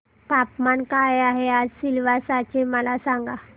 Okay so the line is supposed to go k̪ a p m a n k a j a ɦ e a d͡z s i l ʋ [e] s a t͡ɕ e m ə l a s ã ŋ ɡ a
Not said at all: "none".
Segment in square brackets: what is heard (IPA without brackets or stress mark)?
a